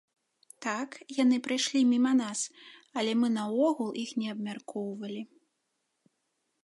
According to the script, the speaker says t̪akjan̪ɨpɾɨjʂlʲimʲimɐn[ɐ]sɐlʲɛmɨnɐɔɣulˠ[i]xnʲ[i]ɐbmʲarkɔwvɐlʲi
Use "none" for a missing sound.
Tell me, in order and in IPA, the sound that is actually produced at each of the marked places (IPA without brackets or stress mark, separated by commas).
a, i, ɛ